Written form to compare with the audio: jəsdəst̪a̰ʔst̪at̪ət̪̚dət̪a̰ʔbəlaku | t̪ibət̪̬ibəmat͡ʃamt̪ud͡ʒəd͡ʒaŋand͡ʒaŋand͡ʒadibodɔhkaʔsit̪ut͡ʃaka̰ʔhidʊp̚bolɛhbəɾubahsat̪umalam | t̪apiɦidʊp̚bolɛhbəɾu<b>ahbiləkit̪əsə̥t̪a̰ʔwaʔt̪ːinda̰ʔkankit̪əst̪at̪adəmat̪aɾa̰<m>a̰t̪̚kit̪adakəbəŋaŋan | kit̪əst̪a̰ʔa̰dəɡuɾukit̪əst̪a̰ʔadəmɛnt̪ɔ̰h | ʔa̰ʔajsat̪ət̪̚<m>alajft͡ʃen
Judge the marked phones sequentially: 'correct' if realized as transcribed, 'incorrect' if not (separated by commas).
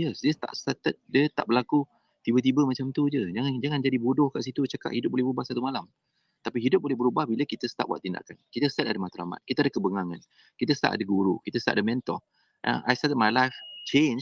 correct, correct, correct